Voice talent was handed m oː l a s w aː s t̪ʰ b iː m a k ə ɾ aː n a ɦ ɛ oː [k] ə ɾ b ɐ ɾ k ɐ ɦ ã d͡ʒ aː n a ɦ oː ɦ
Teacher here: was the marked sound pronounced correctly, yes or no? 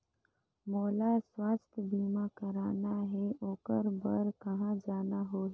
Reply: yes